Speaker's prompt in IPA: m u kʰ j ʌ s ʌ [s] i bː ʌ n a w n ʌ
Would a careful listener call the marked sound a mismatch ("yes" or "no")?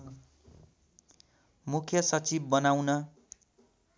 yes